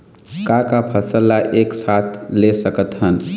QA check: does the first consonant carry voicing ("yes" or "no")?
no